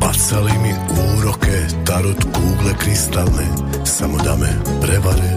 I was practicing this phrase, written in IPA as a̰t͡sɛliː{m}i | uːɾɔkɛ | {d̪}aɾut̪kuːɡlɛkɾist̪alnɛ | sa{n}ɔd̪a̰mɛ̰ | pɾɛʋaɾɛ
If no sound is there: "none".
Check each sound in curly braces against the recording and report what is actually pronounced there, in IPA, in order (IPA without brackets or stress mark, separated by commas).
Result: m, t̪, m